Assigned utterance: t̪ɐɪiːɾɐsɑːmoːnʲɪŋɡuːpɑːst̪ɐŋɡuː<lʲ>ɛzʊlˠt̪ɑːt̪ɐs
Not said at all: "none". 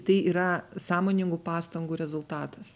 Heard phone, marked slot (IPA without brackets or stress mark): ɾʲ